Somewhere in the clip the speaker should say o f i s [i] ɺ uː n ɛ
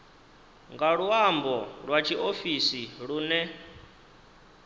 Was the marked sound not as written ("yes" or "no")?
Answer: no